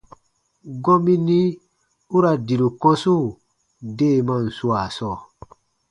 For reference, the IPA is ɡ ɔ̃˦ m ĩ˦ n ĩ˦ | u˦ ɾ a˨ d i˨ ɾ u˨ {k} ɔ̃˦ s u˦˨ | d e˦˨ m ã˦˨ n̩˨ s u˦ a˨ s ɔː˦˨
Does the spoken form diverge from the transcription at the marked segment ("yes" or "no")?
no